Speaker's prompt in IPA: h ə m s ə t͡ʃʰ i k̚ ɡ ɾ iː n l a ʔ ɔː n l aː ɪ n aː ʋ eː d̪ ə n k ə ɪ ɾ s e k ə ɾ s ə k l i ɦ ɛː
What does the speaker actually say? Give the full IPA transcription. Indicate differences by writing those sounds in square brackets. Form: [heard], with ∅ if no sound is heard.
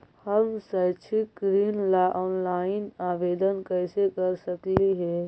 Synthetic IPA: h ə m s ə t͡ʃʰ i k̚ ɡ ɾ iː n l a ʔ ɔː n l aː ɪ n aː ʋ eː d̪ ə n k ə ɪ [∅] s e k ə ɾ s ə k l i ɦ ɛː